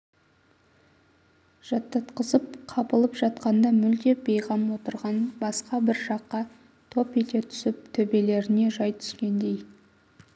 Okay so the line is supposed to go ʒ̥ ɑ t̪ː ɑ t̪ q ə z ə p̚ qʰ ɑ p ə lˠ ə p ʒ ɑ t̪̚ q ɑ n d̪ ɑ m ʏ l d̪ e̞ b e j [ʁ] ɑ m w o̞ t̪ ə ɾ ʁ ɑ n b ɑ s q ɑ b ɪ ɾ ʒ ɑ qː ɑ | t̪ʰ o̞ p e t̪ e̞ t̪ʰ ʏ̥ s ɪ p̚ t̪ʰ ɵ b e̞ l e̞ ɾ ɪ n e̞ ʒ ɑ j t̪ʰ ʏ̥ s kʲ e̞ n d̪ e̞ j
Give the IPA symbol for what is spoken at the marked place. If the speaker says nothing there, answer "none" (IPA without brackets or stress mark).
ʁ